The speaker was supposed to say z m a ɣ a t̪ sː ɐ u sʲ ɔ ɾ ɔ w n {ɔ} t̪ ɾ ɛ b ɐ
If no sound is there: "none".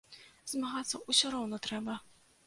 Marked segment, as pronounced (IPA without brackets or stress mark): ɔ